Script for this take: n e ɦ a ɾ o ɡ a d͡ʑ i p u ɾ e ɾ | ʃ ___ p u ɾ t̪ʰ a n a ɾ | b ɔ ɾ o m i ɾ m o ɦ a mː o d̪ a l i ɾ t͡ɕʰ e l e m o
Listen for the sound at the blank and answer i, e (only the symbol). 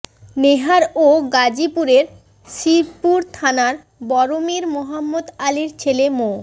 i